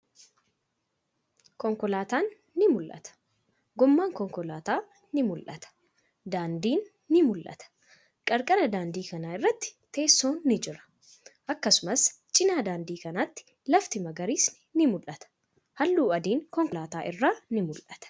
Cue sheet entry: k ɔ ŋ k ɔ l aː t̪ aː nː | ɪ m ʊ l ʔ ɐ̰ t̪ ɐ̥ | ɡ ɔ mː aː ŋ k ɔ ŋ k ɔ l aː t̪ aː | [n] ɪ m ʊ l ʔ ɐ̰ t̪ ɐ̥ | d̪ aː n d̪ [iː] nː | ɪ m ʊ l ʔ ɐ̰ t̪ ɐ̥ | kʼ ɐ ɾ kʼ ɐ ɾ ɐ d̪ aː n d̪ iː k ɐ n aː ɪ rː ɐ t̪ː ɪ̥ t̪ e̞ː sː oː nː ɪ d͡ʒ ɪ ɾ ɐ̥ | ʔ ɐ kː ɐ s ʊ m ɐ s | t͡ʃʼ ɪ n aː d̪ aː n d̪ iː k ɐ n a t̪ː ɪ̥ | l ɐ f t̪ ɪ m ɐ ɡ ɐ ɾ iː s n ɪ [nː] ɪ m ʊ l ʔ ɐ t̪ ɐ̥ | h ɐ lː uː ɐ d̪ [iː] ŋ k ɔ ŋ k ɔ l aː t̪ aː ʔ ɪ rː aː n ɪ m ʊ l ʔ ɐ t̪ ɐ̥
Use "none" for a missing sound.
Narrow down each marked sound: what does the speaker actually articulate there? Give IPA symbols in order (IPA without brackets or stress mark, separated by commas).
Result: n, iː, n, iː